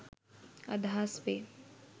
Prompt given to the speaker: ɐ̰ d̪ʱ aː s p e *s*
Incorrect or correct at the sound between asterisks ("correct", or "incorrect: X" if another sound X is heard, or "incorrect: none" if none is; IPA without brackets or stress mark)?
incorrect: none